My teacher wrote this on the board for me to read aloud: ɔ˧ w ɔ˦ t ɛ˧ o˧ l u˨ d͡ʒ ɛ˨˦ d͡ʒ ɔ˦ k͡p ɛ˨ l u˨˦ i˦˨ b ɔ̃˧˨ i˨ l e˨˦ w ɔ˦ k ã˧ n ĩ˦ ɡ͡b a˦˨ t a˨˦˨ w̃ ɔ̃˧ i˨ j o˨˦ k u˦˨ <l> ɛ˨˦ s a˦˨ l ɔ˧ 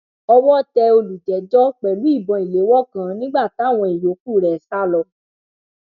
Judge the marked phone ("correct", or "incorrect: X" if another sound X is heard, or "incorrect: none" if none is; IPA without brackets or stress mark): incorrect: ɾ